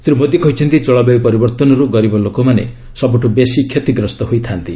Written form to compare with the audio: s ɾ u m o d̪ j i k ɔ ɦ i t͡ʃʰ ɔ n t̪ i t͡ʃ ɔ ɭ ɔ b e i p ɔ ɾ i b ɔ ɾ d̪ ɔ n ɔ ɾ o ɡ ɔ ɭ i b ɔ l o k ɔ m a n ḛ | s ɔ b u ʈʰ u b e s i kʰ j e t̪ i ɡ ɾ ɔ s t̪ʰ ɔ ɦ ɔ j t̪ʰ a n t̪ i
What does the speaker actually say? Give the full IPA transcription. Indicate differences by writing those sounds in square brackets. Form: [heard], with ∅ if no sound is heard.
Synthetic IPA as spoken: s ɾ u m o d̪ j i k ɔ ɦ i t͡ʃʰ ɔ n t̪ i t͡ʃ ɔ ɭ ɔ b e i p ɔ ɾ i b ɔ ɾ [t̪] ɔ n ɔ ɾ [u] ɡ ɔ [ɾ] i b ɔ l o k ɔ m a n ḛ | s ɔ b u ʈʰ u b e s i kʰ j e t̪ i ɡ ɾ ɔ s [t̪] ɔ ɦ [o] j t̪ʰ a n t̪ i